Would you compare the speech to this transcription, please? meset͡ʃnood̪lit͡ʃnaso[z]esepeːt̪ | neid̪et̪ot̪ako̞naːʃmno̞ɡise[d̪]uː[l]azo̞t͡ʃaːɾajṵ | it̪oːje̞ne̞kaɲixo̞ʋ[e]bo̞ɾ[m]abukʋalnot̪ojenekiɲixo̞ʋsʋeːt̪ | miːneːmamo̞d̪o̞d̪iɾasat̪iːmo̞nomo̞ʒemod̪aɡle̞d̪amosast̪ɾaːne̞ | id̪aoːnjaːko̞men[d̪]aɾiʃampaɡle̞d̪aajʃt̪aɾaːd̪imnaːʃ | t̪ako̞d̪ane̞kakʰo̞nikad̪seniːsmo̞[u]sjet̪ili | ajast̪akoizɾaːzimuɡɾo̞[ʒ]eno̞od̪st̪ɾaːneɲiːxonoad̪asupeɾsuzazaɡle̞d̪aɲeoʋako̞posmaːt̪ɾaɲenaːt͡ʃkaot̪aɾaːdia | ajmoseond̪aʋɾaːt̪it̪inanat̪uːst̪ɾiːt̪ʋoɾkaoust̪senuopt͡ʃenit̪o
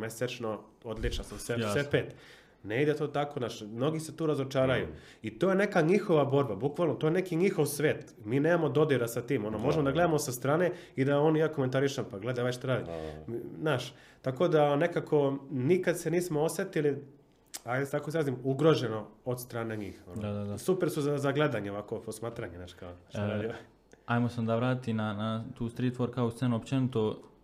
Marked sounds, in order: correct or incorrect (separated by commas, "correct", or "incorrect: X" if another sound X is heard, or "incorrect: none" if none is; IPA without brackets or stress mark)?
incorrect: s, incorrect: t̪, incorrect: ɾ, incorrect: a, incorrect: b, incorrect: t̪, incorrect: o, correct